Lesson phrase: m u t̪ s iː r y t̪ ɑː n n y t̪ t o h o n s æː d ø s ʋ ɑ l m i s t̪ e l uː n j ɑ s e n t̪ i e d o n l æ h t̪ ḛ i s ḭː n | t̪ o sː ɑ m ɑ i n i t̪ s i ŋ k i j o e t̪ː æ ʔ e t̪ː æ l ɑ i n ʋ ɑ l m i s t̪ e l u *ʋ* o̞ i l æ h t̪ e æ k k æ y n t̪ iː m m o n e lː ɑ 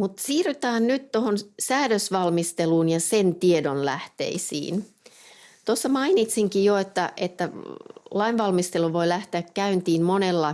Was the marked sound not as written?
no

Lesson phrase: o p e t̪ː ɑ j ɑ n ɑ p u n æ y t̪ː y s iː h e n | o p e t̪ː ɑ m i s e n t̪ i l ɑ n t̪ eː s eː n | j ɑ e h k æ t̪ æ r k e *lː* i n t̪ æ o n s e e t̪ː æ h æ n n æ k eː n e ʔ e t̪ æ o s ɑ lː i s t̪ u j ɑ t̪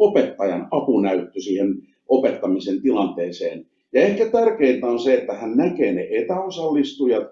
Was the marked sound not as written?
yes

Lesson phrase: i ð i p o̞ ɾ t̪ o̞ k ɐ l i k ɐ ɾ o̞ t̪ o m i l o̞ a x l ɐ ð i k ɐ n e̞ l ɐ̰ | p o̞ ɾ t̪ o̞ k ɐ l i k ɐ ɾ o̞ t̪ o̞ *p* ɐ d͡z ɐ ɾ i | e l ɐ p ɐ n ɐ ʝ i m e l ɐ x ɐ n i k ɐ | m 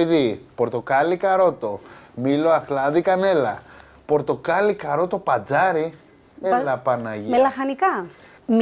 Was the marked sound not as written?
no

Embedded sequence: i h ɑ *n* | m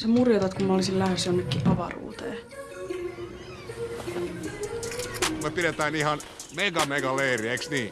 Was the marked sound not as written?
no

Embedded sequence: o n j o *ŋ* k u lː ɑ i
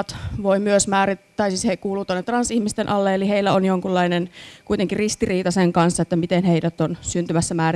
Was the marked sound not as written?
no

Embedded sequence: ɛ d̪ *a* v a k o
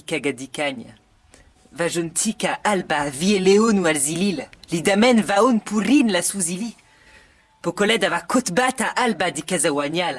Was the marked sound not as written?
no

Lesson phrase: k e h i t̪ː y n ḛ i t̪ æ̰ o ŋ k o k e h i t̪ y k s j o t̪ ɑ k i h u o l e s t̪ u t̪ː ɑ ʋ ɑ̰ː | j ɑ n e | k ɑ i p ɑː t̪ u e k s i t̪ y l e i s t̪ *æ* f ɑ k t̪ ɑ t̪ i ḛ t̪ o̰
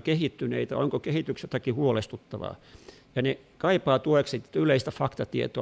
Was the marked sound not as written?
no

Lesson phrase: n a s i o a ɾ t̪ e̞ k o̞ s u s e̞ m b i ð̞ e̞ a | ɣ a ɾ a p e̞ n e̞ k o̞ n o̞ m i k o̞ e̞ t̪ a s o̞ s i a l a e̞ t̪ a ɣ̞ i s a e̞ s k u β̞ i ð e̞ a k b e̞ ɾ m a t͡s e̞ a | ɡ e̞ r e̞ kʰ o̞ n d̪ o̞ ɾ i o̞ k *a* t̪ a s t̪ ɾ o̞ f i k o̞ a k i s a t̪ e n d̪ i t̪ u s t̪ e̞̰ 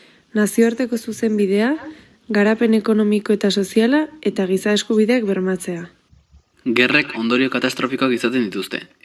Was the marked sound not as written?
no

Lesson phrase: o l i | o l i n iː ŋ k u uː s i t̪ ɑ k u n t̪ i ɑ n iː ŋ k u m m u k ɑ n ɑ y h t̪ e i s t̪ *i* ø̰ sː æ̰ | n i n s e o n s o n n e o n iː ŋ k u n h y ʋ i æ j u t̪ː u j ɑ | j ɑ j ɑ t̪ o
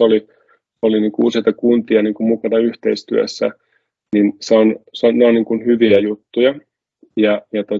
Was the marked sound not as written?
yes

